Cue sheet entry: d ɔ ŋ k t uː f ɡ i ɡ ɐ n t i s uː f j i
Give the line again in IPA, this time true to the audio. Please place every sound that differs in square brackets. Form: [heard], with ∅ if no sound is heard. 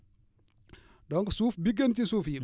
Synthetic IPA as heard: d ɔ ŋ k [s] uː f [b] i ɡ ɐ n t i s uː f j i